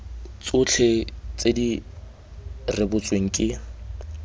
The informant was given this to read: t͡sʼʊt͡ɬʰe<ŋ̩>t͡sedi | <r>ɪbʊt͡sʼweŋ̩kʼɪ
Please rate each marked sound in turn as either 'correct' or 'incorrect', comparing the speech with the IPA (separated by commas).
incorrect, correct